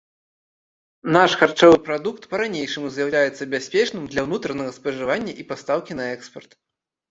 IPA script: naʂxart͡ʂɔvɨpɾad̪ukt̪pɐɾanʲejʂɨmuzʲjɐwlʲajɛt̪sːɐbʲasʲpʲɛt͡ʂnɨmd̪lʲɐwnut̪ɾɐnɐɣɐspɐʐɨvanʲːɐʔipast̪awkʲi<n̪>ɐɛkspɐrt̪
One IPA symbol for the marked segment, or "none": n̪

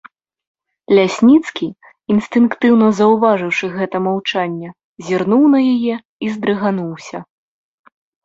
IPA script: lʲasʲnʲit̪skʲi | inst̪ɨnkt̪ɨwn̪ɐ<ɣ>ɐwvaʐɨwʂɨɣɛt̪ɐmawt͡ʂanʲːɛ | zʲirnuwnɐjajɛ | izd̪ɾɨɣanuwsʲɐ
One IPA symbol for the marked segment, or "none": z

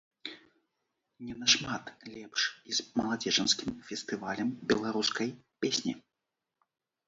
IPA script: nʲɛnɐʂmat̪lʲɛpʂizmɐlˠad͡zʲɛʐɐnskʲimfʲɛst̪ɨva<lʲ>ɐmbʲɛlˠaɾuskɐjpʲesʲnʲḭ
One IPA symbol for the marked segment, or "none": lʲ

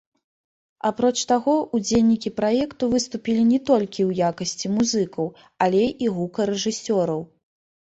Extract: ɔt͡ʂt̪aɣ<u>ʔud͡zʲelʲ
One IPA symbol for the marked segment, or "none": ɔ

